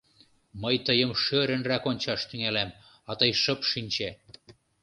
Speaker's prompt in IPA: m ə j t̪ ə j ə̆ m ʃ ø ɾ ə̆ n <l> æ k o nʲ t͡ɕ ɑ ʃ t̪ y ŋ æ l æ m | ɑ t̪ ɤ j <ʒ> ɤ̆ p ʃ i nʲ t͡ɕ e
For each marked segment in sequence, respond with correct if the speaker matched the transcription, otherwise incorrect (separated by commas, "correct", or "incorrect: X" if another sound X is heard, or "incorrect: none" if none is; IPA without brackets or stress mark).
incorrect: r, incorrect: ʃ